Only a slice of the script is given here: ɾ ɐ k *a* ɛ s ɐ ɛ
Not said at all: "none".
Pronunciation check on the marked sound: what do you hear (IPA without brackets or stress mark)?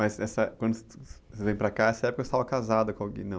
a